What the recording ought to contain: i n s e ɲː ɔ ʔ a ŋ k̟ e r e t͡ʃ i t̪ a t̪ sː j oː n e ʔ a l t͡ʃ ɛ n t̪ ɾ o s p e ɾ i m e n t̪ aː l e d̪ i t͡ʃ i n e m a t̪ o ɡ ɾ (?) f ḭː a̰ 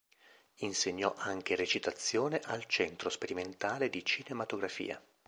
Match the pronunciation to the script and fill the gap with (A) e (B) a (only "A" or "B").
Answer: B